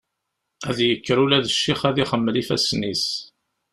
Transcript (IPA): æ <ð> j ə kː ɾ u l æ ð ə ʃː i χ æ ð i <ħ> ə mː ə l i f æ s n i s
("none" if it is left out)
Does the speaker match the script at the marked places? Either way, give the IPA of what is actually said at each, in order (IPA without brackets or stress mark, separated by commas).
ð, χ